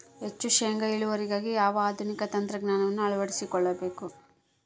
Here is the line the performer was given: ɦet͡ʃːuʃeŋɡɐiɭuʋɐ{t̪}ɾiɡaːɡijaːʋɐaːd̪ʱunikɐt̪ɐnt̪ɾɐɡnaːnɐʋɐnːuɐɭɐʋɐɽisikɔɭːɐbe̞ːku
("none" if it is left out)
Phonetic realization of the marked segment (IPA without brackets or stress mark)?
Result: none